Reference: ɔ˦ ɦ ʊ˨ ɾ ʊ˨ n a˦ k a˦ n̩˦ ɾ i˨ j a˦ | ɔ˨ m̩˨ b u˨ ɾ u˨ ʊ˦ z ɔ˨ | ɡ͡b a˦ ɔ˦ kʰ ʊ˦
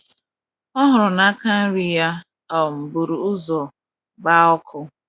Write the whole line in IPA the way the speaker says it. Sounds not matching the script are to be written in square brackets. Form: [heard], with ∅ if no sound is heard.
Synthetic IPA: ɔ˦ ɦ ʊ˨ ɾ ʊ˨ n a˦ k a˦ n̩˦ ɾ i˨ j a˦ | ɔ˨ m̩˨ b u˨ ɾ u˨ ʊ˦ z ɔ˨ | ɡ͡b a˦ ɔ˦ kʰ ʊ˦